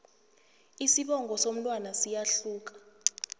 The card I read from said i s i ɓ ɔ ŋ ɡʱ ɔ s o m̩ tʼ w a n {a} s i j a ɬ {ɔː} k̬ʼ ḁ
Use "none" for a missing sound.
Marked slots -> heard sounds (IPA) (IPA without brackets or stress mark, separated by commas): a, uː